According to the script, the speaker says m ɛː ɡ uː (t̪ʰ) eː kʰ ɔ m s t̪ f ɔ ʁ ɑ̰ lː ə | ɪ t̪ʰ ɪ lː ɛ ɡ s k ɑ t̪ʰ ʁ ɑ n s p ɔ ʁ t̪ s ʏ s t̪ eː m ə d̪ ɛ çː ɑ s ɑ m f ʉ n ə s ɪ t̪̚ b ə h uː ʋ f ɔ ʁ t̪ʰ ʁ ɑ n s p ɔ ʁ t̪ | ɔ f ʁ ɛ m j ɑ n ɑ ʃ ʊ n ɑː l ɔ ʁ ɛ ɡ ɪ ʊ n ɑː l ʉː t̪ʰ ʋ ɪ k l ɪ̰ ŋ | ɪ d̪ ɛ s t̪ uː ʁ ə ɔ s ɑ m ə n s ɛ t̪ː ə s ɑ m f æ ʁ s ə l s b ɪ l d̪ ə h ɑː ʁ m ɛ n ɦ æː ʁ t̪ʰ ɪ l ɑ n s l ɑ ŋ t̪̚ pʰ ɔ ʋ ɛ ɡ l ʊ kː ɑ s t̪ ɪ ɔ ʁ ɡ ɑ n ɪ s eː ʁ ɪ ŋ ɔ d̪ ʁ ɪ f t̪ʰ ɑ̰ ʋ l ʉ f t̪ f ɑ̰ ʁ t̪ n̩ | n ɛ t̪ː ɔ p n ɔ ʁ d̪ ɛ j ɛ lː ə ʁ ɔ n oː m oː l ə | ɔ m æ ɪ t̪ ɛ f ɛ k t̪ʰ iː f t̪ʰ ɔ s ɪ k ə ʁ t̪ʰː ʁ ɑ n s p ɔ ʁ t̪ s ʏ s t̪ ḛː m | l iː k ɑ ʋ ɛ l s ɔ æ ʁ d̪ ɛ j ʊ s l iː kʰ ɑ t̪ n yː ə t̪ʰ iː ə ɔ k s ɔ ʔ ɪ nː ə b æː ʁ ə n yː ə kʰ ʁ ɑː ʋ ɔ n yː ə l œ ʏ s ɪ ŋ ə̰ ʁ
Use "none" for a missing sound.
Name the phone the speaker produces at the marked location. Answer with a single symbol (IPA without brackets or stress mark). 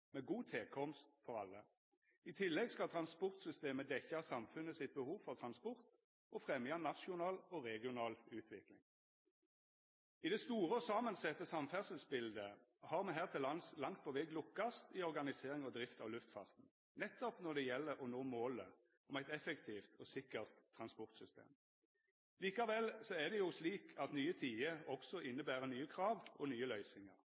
t̪ʰ